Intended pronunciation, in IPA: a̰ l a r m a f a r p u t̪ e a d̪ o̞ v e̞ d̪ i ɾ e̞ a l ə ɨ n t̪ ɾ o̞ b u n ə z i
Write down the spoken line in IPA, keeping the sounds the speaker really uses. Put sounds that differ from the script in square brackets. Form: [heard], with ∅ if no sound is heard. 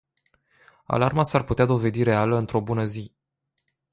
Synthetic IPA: a̰ l a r m a [s] a r p u t̪ e a d̪ o̞ v e̞ d̪ i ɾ e̞ a l ə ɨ n t̪ ɾ o̞ b u n ə z i